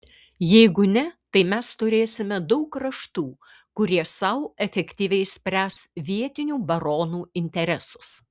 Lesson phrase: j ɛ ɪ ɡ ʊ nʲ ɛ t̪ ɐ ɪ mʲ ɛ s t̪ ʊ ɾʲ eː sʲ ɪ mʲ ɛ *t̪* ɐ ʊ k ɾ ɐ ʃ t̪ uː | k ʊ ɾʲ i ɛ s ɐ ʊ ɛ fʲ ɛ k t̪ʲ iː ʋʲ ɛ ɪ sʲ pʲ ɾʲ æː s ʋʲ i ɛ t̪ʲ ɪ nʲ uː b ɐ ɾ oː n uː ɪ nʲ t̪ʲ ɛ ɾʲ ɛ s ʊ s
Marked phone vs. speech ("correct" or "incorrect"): incorrect